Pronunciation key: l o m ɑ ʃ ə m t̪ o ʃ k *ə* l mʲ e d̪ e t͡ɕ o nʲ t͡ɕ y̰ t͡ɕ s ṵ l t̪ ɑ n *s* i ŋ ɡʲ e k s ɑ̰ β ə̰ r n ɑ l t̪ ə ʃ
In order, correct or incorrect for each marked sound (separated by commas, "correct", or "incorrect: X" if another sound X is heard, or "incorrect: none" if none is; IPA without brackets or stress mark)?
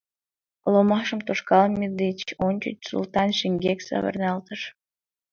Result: incorrect: ɑ, incorrect: ʃ